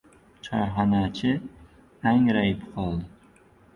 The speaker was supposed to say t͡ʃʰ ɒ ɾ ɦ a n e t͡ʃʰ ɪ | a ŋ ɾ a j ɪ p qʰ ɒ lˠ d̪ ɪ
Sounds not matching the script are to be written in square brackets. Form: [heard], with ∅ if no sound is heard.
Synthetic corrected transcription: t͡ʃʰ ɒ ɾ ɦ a n [a] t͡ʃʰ ɪ | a ŋ ɾ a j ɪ p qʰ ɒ lˠ d̪ ɪ